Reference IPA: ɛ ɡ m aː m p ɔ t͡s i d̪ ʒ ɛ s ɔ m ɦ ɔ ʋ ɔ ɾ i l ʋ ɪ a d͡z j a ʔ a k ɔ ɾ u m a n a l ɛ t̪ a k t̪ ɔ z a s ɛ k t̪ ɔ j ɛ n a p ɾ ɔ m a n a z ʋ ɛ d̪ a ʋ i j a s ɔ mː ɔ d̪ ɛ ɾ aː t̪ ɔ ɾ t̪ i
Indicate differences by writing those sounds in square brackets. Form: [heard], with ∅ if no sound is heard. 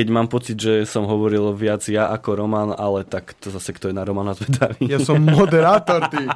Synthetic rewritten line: ɛ [ɟ] m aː m p ɔ t͡s i d̪ ʒ ɛ s ɔ m ɦ ɔ ʋ ɔ ɾ i l ʋ ɪ a d͡z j a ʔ a k ɔ ɾ [ɔ] m a n a l ɛ t̪ a k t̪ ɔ z a s ɛ k t̪ ɔ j ɛ n a [∅] ɾ ɔ m a n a z ʋ ɛ d̪ a ʋ i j a s ɔ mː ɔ d̪ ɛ ɾ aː t̪ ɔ ɾ t̪ i